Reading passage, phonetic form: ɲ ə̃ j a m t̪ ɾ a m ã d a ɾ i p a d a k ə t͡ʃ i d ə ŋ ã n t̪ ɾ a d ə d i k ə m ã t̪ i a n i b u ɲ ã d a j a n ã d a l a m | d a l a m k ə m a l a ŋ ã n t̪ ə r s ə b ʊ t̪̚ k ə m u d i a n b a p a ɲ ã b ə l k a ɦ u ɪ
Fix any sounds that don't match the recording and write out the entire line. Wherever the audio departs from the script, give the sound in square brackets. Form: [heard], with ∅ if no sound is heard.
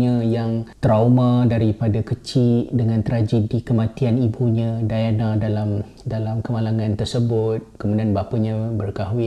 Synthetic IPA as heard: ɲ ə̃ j a [ŋ] t̪ ɾ a m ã d a ɾ i p a d a k ə t͡ʃ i d ə ŋ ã n t̪ ɾ a [d͡ʒ] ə d i k ə m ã t̪ i a n i b u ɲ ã d a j a n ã d a l a m | d a l a m k ə m a l a ŋ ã n t̪ ə r s ə b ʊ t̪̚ k ə m u d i a n b a p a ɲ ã b ə [r] k a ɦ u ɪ